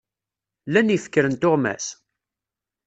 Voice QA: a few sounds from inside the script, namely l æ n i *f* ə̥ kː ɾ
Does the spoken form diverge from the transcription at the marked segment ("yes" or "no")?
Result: no